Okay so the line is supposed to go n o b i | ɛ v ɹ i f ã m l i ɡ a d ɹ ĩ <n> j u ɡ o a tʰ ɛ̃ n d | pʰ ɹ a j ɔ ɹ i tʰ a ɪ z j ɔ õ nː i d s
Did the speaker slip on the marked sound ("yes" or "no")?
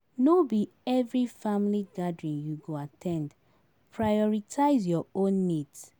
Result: no